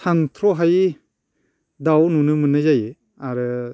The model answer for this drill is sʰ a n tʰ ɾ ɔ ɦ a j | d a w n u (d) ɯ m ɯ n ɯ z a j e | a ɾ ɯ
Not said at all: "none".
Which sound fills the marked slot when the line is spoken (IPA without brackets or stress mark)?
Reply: n